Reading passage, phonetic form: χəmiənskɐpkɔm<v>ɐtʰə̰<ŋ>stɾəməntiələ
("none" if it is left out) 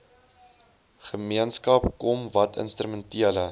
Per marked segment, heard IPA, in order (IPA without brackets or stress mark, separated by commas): v, n